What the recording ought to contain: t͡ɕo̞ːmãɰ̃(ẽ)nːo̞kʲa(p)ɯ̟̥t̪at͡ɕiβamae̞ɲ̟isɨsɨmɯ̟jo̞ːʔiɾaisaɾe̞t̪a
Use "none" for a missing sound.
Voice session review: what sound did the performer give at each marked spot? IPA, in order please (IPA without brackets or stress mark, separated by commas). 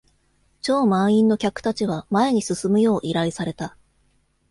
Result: ĩ, k